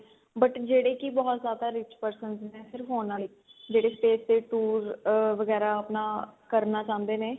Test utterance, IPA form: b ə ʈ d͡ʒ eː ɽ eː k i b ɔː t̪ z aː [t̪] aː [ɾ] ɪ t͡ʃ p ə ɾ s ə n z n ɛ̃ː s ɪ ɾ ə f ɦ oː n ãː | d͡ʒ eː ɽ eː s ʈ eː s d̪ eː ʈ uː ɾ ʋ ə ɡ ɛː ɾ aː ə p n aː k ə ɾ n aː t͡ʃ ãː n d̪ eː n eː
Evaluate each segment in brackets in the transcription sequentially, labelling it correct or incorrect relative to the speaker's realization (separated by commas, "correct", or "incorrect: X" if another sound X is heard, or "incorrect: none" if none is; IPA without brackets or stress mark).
incorrect: d̪, correct